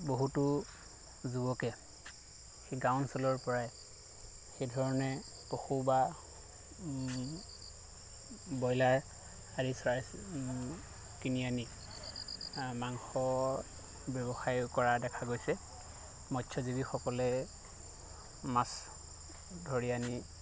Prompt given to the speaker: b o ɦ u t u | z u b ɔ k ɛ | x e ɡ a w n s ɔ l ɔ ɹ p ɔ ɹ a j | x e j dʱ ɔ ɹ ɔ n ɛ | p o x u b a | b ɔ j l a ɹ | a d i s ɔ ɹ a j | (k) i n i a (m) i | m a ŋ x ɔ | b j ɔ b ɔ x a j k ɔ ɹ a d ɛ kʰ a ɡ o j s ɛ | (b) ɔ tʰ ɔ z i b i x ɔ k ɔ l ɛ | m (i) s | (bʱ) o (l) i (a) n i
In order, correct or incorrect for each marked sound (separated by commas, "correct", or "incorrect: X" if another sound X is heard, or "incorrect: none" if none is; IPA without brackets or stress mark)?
correct, incorrect: n, incorrect: m, incorrect: a, incorrect: dʱ, incorrect: ɹ, correct